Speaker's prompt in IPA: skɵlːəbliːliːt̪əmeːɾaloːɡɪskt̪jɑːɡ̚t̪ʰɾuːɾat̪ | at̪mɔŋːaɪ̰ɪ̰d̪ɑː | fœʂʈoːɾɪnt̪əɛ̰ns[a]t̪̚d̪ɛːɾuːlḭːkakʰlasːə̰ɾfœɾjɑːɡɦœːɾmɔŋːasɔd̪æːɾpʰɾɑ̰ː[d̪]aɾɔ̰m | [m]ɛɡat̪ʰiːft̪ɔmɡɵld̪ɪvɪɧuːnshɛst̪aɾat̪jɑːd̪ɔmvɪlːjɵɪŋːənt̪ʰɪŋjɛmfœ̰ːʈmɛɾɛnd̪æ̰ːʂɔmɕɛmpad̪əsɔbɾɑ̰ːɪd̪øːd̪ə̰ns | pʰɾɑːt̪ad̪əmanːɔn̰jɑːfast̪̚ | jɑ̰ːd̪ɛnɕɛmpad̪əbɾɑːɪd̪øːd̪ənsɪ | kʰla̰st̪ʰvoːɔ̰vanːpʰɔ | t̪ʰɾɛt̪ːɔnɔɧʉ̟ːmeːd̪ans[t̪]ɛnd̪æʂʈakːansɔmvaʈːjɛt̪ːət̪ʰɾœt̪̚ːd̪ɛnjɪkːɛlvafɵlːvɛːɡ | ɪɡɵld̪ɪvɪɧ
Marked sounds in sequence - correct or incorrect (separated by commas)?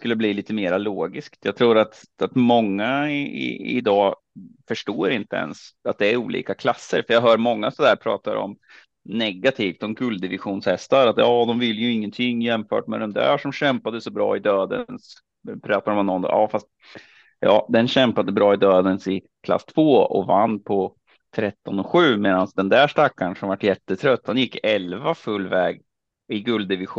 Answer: correct, incorrect, incorrect, incorrect